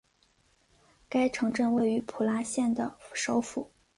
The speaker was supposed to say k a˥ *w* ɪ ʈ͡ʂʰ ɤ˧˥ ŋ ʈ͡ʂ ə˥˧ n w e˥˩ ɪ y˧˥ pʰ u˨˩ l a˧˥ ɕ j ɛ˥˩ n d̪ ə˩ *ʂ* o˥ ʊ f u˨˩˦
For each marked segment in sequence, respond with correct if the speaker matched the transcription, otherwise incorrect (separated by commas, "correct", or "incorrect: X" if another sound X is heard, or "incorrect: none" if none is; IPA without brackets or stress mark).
incorrect: none, correct